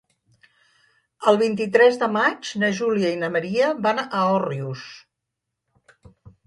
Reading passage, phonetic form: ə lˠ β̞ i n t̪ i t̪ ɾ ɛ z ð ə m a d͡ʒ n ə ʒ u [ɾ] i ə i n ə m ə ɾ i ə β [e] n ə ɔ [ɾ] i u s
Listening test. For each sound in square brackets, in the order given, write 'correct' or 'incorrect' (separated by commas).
incorrect, incorrect, incorrect